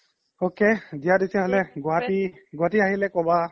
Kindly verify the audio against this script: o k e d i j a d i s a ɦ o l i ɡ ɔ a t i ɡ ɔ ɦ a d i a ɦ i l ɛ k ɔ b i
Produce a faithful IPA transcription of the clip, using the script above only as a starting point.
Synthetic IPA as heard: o k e d i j a d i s ɛ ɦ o l ɛ ɡ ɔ a t i ɡ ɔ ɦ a t i a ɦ i l ɛ k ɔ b a

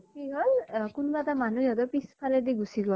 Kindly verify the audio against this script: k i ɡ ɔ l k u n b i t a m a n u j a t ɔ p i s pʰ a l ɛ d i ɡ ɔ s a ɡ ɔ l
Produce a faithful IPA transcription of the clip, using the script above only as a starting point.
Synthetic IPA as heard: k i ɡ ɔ l k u n b a t a m a n u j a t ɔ p i s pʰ a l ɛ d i ɡ u s i ɡ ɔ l

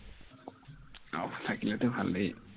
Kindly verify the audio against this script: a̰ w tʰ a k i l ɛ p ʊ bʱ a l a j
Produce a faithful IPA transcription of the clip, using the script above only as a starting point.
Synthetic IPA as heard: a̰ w tʰ a k i l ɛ t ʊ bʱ a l e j

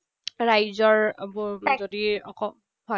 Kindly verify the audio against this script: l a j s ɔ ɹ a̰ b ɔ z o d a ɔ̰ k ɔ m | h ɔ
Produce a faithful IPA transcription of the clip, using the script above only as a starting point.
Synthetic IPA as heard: ɹ a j z ɔ ɹ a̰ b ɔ z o d i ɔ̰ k ɔ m | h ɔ

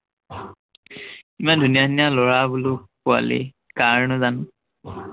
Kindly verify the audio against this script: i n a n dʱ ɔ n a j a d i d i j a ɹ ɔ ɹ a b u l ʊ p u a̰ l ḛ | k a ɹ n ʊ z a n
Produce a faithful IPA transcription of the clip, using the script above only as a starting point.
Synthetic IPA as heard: i m a n dʱ u n i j a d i n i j a l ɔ ɹ a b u l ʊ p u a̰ l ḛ | k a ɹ n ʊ z a n

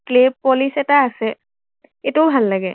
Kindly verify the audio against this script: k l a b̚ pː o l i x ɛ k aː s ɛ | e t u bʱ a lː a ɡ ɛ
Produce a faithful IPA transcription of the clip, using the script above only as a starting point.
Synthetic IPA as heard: k l e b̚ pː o l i s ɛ t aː s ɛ | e t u bʱ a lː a ɡ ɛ

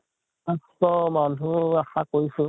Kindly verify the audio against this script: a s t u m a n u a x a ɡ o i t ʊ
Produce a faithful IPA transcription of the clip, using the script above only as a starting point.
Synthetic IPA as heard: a s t ɔ m a n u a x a k o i s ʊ

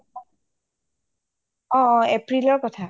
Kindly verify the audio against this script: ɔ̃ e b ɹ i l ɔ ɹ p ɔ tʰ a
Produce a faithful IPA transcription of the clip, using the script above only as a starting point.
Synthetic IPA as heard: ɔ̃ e p ɹ i l ɔ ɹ k ɔ tʰ a

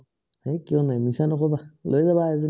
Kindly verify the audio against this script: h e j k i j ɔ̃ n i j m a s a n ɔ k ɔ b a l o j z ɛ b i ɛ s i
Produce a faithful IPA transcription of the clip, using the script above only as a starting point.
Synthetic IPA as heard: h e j k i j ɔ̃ n a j m i s a n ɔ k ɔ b a l o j z a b a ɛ z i

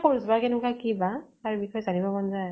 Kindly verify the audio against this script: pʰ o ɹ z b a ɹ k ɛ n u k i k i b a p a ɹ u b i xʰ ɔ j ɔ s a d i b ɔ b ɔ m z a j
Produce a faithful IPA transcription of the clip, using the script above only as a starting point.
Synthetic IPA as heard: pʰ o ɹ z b a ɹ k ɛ n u k a k i b a t a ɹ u b i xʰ ɔ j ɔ z a n i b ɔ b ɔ n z a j

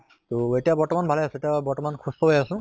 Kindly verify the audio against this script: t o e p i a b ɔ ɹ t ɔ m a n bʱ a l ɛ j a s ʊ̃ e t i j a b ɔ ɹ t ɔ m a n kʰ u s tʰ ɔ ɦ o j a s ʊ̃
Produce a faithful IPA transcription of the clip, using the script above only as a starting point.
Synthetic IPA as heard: t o e t i a b ɔ ɹ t ɔ m a n bʱ a l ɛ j a s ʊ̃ e t i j a b ɔ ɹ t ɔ m a n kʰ u s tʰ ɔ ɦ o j a s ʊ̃

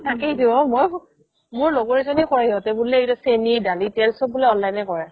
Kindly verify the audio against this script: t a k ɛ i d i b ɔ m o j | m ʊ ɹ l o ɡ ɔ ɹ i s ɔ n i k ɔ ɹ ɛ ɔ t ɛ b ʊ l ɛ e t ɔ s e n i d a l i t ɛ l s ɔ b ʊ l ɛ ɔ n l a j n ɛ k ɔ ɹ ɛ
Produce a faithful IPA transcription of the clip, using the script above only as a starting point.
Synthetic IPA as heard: t a k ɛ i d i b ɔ m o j | m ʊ ɹ l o ɡ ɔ ɹ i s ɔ n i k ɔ ɹ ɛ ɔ t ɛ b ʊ l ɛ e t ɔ s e n i d a l i t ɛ l s ɔ b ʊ l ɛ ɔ n l a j n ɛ k ɔ ɹ ɛ

